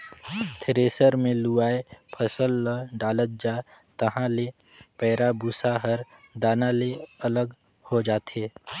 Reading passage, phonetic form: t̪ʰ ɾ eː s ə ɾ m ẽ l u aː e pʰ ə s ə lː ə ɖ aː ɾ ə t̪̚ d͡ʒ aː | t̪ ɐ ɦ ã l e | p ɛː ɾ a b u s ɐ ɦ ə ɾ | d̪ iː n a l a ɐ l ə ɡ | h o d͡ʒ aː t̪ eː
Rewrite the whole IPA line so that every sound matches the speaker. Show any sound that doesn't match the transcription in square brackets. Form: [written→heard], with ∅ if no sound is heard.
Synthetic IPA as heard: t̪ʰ ɾ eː s ə ɾ m ẽ l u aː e pʰ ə s ə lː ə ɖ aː [ɾ→l] ə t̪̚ d͡ʒ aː | t̪ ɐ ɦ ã l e | p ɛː ɾ a b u s [ɐ→a] ɦ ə ɾ | d̪ [iː→aː] n a l [a→e] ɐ l ə ɡ | h o d͡ʒ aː t̪ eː